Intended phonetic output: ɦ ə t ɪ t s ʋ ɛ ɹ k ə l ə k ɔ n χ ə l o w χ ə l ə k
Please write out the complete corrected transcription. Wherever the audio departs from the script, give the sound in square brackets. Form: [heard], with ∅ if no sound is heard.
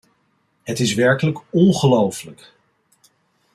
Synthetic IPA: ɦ ə t ɪ [∅] s ʋ ɛ ɹ k ə l ə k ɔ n χ ə l o w [f] ə l ə k